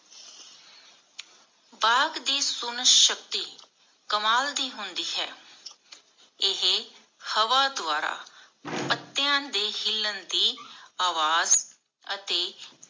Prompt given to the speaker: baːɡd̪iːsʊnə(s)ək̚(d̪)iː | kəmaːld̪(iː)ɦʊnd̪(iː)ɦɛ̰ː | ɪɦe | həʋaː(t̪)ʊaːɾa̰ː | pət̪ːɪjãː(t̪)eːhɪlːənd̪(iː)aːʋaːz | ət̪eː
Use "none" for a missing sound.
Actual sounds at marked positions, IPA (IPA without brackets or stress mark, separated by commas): ʃ, t̪, iː, iː, d̪, d̪, iː